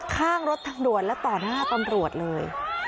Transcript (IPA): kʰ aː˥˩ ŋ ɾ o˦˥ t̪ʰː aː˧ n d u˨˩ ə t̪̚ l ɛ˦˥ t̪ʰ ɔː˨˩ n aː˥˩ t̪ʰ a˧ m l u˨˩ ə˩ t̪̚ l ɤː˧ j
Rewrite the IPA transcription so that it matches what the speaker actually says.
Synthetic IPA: kʰ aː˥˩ ŋ ɾ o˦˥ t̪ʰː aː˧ ŋ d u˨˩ ə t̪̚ l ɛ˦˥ t̪ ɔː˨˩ n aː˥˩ t̪ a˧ m ɾ u˨˩ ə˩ t̪̚ l ɤː˧ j